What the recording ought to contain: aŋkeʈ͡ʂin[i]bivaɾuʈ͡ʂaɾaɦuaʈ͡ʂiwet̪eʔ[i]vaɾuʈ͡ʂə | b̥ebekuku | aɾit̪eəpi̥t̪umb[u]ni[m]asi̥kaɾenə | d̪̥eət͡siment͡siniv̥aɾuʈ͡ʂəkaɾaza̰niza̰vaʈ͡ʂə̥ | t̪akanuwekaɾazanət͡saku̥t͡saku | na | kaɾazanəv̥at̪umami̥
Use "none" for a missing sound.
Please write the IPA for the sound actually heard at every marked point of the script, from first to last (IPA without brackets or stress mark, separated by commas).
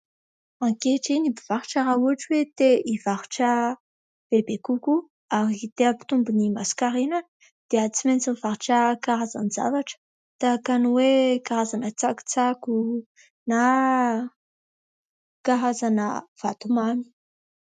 i, i, u, m